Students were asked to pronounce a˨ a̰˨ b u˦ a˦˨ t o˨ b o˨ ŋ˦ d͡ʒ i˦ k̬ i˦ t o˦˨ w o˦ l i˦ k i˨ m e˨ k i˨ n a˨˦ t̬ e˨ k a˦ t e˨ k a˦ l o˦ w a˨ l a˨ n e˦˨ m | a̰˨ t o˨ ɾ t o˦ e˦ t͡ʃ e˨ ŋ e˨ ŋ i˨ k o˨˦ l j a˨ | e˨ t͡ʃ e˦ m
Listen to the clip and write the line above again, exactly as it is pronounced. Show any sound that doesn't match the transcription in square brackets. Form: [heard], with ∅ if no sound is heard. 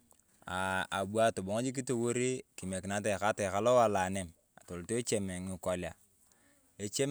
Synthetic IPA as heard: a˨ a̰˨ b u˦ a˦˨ t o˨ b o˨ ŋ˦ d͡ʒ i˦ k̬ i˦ t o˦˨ w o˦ [ɾ] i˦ k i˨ m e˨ k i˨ n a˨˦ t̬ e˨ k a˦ t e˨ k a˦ l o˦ w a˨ l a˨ n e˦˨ m | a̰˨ t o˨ [l] t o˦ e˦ t͡ʃ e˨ [m] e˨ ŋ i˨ k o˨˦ l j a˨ | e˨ t͡ʃ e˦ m